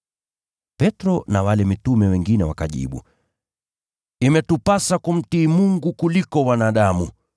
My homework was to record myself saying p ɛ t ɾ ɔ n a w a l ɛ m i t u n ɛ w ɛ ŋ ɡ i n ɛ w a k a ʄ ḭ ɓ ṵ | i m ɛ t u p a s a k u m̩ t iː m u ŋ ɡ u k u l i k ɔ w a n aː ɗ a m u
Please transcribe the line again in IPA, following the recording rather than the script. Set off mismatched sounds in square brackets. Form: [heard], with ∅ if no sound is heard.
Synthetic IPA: p ɛ t ɾ ɔ n a w a l ɛ m i t u [m] ɛ w ɛ ŋ ɡ i n ɛ w a k a ʄ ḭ ɓ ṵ | i m ɛ t u p a s a k u m̩ t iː m u ŋ ɡ u k u l i k ɔ w a n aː ɗ a m u